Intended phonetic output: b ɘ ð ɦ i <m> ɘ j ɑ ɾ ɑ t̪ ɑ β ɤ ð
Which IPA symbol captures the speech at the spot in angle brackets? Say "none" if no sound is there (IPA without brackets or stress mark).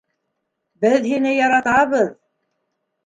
n